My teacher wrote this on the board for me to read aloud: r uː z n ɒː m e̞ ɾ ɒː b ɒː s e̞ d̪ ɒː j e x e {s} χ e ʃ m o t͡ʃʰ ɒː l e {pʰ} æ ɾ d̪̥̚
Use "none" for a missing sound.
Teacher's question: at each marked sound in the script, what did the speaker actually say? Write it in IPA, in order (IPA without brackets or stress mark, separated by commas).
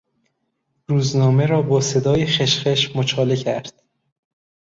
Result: ʃ, cʰ